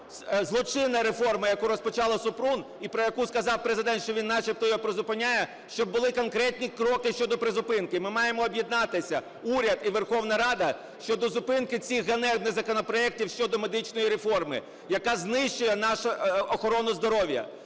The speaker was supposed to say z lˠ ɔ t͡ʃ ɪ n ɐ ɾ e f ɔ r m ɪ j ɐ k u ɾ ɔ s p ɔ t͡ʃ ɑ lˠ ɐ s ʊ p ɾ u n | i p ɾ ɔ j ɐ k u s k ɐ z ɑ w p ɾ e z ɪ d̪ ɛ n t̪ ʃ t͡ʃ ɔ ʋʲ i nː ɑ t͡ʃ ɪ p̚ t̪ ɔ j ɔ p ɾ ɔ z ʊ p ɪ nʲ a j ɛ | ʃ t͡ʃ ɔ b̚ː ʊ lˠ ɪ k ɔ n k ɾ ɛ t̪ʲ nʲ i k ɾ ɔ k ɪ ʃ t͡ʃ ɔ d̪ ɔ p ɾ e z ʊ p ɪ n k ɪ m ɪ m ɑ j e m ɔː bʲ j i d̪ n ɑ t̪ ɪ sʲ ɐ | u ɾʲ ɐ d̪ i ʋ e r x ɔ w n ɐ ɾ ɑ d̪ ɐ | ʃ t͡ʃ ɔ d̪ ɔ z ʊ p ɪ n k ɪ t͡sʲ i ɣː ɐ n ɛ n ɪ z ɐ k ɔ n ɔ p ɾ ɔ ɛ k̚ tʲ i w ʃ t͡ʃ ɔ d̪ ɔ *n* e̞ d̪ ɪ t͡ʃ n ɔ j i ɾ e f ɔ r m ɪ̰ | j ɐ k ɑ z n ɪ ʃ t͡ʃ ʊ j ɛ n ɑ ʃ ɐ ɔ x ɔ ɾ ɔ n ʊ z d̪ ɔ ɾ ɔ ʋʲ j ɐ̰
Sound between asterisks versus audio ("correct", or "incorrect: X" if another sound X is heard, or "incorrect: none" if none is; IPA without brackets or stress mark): incorrect: m